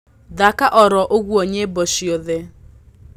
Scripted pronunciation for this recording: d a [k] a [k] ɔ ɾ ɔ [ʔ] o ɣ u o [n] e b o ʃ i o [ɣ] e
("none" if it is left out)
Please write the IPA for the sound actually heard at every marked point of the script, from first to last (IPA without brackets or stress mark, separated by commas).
k, ʔ, ʔ, ɲ, ð